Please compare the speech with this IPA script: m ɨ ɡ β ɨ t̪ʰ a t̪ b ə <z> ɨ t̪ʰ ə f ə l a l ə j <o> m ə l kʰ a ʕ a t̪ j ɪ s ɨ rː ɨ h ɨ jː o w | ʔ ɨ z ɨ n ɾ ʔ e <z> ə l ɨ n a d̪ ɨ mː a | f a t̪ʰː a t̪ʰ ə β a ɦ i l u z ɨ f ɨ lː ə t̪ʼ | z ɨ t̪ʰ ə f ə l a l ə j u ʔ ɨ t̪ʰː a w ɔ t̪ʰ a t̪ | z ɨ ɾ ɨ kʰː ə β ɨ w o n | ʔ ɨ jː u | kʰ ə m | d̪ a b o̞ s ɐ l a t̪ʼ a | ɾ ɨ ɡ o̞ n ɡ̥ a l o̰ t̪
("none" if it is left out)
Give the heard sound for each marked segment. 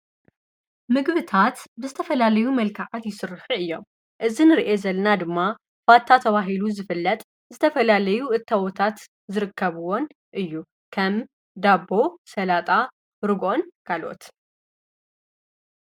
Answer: z, u, z

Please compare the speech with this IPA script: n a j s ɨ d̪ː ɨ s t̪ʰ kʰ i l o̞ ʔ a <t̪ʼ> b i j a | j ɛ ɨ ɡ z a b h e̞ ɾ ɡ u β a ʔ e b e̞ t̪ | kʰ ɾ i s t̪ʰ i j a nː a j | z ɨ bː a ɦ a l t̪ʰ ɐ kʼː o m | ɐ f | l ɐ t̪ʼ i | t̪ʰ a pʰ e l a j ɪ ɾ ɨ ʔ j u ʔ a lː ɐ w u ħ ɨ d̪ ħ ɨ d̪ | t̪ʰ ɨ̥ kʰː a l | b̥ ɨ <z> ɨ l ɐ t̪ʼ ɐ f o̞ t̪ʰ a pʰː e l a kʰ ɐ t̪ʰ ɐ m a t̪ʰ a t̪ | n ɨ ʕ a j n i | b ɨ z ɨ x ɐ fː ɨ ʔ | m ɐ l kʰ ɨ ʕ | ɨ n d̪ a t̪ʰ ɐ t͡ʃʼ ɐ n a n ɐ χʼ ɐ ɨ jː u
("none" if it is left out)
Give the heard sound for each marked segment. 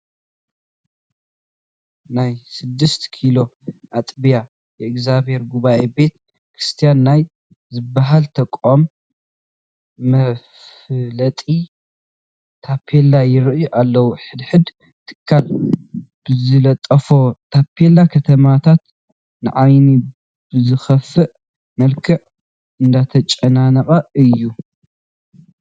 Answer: t̪ʼ, z

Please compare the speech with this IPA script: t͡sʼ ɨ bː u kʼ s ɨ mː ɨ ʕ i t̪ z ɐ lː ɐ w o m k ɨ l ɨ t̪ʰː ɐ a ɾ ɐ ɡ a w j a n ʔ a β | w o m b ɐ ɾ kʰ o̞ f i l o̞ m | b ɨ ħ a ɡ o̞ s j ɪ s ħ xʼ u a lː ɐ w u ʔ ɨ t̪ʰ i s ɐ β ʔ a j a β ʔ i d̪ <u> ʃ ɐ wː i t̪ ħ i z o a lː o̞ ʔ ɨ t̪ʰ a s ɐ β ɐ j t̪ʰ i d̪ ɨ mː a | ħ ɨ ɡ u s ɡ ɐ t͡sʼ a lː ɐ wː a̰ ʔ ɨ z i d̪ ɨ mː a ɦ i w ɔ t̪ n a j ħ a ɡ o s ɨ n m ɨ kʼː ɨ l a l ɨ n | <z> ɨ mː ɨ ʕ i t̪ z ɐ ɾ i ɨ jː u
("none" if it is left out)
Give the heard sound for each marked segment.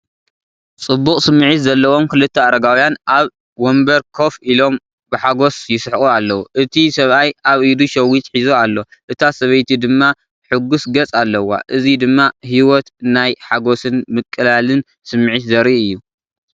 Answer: u, s

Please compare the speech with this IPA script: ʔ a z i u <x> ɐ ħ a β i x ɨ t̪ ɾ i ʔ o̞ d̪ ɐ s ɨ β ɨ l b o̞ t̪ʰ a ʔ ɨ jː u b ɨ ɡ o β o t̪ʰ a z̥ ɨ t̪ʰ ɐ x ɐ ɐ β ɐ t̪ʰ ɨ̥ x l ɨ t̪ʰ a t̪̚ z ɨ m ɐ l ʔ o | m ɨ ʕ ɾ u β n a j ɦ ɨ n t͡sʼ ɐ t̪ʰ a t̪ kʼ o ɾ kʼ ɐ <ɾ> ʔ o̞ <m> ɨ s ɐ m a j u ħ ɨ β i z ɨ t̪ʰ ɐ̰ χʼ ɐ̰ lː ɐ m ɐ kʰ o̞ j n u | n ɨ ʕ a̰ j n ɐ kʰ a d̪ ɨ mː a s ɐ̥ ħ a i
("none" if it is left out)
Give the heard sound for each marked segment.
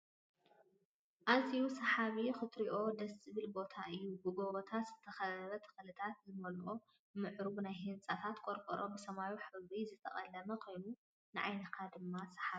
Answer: s, ɾ, b

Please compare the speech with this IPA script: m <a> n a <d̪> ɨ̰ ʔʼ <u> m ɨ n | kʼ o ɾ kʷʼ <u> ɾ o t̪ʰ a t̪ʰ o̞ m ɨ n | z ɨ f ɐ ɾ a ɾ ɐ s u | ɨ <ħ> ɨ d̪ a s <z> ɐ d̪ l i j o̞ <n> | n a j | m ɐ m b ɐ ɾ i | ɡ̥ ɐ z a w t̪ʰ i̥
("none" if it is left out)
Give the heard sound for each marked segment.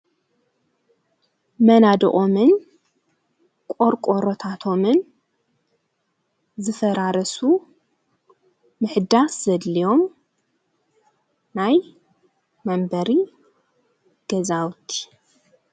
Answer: ɐ, d̪, o, o, ħ, z, m

